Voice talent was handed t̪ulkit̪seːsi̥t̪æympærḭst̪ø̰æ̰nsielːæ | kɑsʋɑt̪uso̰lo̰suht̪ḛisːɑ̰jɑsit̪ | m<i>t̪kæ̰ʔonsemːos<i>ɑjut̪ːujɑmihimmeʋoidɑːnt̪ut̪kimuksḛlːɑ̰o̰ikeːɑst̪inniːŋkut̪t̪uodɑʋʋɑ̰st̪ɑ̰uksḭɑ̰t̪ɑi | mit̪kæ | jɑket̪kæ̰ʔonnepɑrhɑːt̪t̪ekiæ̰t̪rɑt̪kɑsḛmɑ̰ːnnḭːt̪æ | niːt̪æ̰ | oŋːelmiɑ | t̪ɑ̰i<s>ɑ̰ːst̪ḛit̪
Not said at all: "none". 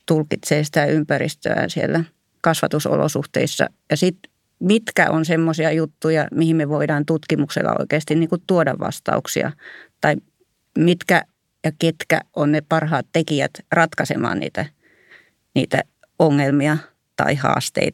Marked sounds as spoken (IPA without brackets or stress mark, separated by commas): i, i, h